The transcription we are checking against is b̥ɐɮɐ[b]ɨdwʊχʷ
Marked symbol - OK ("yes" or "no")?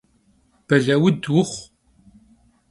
no